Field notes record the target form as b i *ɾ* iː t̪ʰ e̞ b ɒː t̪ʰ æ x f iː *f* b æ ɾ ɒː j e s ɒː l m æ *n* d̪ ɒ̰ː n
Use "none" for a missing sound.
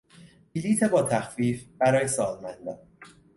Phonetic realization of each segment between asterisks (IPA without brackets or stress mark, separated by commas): l, f, n